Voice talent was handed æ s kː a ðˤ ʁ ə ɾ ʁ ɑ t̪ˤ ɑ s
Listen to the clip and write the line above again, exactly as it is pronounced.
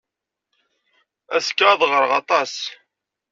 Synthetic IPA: æ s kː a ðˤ ʁ ə ɾ ʁ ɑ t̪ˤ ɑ s